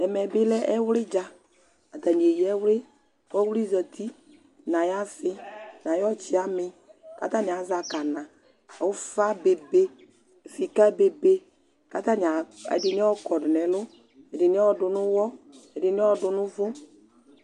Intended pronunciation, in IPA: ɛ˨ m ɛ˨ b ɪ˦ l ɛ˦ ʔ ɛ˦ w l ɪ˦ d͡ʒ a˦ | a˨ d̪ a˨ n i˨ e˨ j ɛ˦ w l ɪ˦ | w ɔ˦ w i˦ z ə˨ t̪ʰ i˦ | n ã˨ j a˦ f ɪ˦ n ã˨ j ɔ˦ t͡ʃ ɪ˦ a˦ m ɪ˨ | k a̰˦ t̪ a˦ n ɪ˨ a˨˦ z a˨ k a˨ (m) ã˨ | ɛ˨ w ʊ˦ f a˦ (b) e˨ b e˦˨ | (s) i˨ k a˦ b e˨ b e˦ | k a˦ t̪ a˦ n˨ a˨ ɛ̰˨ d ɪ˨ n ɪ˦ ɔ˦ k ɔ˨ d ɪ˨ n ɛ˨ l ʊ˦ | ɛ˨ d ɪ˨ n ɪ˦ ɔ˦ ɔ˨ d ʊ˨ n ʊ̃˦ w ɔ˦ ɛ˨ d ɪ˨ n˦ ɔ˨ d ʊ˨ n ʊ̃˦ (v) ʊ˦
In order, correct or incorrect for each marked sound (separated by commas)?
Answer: incorrect, correct, incorrect, correct